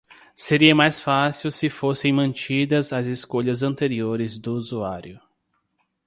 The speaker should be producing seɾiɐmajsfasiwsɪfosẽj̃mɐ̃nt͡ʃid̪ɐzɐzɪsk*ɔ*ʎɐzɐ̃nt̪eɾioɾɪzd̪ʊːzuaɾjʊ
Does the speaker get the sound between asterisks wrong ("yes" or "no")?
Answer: yes